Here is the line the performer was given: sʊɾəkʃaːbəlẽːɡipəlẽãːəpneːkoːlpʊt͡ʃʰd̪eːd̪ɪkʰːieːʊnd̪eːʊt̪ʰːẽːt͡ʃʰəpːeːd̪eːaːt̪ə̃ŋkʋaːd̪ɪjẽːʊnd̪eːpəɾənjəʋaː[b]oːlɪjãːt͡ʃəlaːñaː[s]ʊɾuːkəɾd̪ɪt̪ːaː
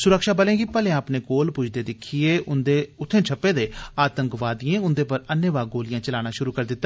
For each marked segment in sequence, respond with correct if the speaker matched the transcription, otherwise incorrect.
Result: incorrect: ɡ, incorrect: ʃ

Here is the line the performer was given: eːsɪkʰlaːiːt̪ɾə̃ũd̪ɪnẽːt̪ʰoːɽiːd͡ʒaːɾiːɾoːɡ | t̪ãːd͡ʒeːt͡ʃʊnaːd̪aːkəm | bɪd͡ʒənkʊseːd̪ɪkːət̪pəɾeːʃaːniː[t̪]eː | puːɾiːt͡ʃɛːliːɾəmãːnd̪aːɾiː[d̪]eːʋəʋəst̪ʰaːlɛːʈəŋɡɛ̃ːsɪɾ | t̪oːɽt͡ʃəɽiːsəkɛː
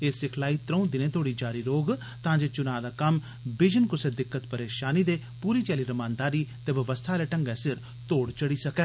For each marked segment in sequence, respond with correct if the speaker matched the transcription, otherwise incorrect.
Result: incorrect: d̪, incorrect: t̪

